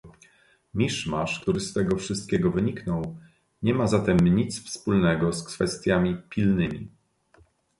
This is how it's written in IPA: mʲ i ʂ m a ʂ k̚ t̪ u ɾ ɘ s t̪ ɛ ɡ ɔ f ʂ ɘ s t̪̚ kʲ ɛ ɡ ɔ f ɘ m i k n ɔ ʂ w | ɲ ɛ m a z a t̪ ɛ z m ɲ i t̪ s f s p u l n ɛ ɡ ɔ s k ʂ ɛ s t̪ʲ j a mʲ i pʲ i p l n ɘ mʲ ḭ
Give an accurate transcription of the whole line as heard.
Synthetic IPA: mʲ i ʂ m a ʂ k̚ t̪ u ɾ ɘ s t̪ ɛ ɡ ɔ f ʂ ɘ s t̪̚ kʲ ɛ ɡ ɔ v ɘ ɲ i k n ɔ w | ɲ ɛ m a z a t̪ ɛ m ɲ i t̪ s f s p u l n ɛ ɡ ɔ s k f ɛ s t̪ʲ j a mʲ i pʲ i l n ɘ mʲ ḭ

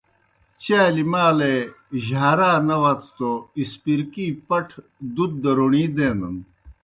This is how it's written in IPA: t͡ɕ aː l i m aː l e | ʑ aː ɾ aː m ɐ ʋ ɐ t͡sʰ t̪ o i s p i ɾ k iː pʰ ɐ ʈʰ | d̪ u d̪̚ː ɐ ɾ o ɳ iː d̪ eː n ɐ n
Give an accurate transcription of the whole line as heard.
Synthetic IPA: t͡ɕ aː l i m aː l e | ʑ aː ɾ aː n ɐ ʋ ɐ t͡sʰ t̪ o i s p i ɾ k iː p ɐ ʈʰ | d̪ u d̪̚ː ɐ ɾ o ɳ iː d̪ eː n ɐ n

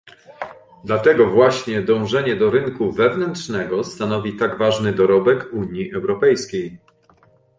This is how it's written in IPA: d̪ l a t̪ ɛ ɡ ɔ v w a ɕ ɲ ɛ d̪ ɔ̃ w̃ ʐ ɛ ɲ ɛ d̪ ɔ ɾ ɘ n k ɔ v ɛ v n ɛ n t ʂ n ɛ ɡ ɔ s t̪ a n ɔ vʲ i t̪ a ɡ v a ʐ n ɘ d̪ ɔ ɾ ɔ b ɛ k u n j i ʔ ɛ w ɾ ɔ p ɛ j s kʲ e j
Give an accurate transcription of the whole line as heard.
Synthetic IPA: d̪ l a t̪ ɛ ɡ ɔ v w a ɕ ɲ ɛ d̪ ɔ̃ w̃ ʐ ɛ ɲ ɛ d̪ ɔ ɾ ɘ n k u v ɛ v n ɛ n t ʂ n ɛ ɡ ɔ s t̪ a n ɔ vʲ i t̪ a ɡ v a ʐ n ɘ d̪ ɔ ɾ ɔ b ɛ k u ɲ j i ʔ ɛ w ɾ ɔ p ɛ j s kʲ e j

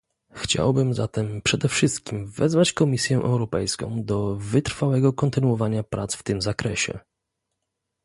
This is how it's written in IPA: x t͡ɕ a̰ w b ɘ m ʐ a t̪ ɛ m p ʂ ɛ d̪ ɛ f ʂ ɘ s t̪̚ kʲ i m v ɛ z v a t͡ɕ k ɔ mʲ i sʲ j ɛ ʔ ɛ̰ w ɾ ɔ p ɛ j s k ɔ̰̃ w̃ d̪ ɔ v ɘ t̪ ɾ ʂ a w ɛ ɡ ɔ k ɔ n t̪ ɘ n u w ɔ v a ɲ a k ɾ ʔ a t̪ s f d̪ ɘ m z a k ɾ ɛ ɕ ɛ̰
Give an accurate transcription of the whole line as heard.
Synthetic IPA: x t͡ɕ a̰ w b ɘ m z a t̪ ɛ m p ʂ ɛ d̪ ɛ f ʂ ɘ s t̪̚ kʲ i m v ɛ z v a t͡ɕ k ɔ mʲ i sʲ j ɛ ʔ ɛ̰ w ɾ ɔ p ɛ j s k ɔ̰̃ w̃ d̪ ɔ v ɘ t̪ ɾ f a w ɛ ɡ ɔ k ɔ n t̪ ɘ n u w ɔ v a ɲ a p ɾ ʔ a t̪ s f t̪ ɘ m z a k ɾ ɛ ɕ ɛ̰

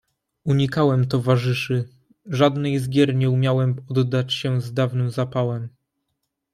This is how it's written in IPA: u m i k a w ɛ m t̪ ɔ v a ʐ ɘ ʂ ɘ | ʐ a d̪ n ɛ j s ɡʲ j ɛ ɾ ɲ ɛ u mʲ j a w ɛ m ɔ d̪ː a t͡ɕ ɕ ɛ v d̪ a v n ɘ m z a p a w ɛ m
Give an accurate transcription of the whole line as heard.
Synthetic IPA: u ɲ i k a w ɛ m t̪ ɔ v a ʐ ɘ ʂ ɘ | ʐ a d̪ n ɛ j z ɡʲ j ɛ ɾ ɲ ɛ u mʲ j a w ɛ m ɔ d̪ː a t͡ɕ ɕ ɛ z d̪ a v n ɘ m z a p a w ɛ m

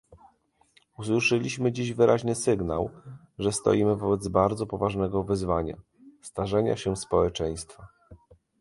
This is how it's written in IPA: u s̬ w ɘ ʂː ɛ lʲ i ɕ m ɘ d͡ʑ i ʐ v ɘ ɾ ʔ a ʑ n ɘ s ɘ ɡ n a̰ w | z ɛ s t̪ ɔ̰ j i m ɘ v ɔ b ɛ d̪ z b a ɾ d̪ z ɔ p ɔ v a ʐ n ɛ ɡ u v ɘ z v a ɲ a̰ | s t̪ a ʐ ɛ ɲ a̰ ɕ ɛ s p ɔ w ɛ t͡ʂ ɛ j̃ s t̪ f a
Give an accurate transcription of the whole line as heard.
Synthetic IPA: u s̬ w ɘ ʂ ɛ lʲ i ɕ m ɘ d͡ʑ i ʑ v ɘ ɾ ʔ a ʑ n ɘ s ɘ ɡ n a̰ w | ʐ ɛ s t̪ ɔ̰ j i m ɘ v ɔ b ɛ d̪ z b a ɾ d̪ z ɔ p ɔ v a ʐ n ɛ ɡ ɔ v ɘ z v a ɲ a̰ | s t̪ a ʐ ɛ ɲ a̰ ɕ ɛ s p ɔ w ɛ t͡ʂ ɛ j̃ s t̪ f a

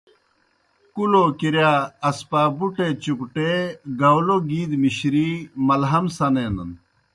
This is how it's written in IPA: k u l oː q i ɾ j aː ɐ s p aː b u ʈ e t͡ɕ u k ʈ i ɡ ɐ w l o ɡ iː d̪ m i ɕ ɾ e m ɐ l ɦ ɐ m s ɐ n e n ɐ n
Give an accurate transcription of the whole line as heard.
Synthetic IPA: k u l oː k i ɾ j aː ɐ s p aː b u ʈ e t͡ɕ u k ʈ e ɡ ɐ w l o ɡ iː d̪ m i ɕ ɾ i m ɐ l ɦ ɐ m s ɐ n e n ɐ n

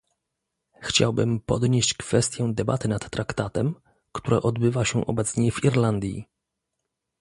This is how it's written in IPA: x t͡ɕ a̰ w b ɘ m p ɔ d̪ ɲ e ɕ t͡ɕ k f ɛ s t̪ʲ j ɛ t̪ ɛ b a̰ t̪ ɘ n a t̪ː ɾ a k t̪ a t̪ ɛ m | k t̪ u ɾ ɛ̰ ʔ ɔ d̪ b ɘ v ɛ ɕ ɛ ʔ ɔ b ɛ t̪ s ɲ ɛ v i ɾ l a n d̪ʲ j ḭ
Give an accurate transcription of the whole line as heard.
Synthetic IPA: x t͡ɕ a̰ w b ɘ m p ɔ d̪ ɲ e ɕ t͡ɕ k f ɛ s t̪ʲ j ɛ d̪ ɛ b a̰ t̪ ɘ n a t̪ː ɾ a k t̪ a t̪ ɛ m | k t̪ u ɾ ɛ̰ ʔ ɔ d̪ b ɘ v a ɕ ɛ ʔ ɔ b ɛ t̪ s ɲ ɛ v i ɾ l a n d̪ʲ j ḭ

